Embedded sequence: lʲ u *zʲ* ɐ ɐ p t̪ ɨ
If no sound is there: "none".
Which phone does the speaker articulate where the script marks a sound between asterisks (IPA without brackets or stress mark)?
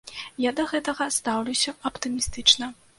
sʲ